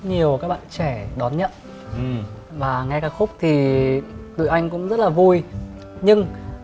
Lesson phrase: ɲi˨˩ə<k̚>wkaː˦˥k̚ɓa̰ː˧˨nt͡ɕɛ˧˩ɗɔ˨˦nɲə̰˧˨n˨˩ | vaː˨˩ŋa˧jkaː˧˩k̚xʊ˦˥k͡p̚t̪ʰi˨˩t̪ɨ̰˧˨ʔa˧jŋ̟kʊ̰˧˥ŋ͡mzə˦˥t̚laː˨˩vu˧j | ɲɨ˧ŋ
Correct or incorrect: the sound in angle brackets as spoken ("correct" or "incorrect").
incorrect